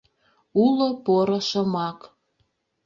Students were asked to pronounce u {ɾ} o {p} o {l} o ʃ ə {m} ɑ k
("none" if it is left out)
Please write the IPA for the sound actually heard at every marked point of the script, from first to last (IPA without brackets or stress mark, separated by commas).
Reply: l, p, ɾ, m